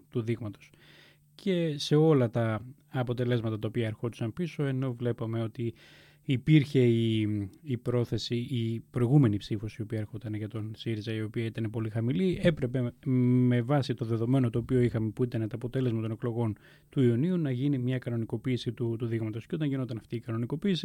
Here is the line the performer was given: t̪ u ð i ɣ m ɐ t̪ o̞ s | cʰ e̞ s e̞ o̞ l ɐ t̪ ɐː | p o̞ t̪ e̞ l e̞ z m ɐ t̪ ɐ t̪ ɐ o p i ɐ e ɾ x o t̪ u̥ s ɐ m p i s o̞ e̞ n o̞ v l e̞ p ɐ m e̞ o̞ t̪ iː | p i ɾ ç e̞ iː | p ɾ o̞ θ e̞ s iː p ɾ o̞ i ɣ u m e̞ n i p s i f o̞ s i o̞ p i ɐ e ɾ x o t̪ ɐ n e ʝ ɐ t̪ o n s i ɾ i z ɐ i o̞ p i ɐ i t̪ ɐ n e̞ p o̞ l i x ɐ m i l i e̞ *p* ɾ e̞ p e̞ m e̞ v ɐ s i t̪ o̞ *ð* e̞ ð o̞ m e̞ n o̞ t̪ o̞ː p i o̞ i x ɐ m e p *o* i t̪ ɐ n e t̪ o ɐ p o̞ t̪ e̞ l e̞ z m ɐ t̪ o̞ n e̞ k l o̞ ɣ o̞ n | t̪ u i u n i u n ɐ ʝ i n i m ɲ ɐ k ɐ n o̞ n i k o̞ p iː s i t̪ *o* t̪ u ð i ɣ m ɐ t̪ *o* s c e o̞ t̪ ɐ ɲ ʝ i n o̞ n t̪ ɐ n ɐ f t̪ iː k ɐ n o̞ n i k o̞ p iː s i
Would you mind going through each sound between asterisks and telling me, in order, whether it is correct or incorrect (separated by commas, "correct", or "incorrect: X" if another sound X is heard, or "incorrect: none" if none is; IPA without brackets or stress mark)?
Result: correct, correct, incorrect: u, incorrect: u, correct